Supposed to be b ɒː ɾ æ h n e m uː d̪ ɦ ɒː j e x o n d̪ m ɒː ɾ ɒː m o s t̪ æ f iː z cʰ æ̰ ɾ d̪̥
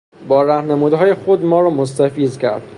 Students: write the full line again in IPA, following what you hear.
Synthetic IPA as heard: b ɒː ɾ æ h n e m uː d̪ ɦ ɒː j e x o d̪ m ɒː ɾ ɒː m o s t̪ æ f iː z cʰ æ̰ ɾ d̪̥